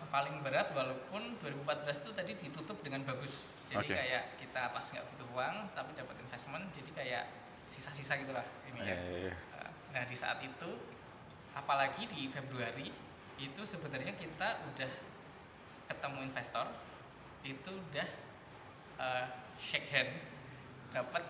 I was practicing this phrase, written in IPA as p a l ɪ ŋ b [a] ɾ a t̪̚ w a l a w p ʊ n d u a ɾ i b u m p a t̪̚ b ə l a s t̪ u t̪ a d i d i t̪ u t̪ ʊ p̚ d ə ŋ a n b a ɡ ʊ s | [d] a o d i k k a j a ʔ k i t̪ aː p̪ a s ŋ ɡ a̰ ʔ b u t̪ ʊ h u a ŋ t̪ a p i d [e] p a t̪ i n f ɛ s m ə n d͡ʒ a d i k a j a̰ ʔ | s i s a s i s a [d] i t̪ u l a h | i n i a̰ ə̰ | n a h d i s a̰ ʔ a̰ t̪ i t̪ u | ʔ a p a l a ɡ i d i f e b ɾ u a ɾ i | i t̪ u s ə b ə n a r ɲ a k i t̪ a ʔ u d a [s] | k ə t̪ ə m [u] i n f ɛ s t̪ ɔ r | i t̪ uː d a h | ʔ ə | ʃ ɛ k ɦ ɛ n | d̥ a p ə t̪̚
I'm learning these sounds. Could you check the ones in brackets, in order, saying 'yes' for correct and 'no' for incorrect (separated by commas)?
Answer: no, no, no, no, no, yes